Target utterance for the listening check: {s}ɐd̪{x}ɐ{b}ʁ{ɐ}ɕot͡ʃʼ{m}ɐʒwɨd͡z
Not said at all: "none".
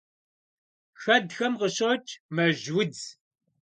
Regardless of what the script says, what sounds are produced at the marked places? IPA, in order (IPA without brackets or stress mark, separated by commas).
x, x, m, ə, m